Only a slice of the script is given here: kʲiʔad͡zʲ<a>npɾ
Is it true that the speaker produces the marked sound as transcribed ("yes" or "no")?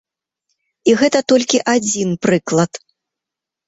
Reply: no